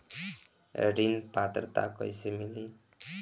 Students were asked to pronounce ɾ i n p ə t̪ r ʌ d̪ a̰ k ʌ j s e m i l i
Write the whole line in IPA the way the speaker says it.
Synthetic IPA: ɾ i n p a t̪ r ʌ t̪ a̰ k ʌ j s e m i l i